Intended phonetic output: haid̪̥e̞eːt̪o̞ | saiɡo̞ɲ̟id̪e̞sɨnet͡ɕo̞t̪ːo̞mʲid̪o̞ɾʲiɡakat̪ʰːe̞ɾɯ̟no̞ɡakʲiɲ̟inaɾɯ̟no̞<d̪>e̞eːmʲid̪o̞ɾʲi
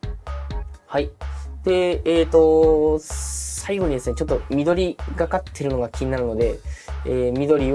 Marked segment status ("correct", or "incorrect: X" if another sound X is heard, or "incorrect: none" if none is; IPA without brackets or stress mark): correct